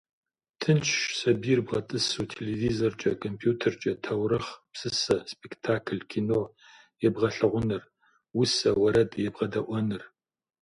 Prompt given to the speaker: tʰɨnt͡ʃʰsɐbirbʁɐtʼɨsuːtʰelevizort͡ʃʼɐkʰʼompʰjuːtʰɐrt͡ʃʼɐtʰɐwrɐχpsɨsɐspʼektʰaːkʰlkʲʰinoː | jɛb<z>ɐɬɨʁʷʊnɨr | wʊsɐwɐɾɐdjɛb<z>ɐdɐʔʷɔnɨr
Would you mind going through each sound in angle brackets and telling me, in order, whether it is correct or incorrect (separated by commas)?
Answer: incorrect, incorrect